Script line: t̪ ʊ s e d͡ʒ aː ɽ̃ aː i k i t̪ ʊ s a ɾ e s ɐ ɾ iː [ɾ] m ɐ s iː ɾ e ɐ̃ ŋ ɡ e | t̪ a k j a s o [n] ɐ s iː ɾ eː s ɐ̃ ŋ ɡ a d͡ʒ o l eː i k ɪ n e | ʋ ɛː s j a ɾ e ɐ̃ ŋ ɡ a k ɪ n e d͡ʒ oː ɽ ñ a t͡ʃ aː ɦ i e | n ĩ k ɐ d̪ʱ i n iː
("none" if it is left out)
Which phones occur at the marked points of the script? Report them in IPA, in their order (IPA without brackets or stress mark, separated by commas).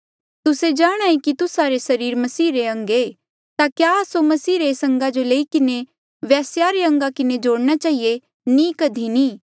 ɾ, m